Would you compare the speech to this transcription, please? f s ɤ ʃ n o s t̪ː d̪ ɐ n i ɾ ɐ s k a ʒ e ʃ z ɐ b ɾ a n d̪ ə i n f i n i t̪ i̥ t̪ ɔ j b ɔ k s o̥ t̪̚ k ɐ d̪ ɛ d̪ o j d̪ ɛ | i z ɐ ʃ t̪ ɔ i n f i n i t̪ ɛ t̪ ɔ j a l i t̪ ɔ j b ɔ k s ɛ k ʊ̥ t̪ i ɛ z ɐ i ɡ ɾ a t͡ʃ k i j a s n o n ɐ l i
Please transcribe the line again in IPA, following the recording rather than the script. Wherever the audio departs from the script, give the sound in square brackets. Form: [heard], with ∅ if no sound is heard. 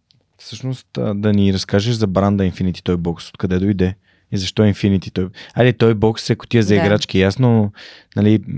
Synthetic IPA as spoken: f s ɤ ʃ n o s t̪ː d̪ ɐ n i ɾ ɐ s k a ʒ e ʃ z ɐ b ɾ a n d̪ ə i n f i n i t̪ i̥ t̪ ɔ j b ɔ k s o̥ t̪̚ k ɐ d̪ ɛ d̪ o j d̪ ɛ | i z ɐ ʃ t̪ ɔ i n f i n i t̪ [i] t̪ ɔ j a l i t̪ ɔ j b ɔ k s ɛ k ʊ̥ t̪ i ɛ z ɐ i ɡ ɾ a t͡ʃ k i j a s n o n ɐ l i